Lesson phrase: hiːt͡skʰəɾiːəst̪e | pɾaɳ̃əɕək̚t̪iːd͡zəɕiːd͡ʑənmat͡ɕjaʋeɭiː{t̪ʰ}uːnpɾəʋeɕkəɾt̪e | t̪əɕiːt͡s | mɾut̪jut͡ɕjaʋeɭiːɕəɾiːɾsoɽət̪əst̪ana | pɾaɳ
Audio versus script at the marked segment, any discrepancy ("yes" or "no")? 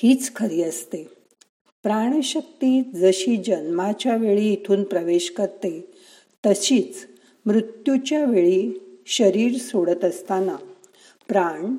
no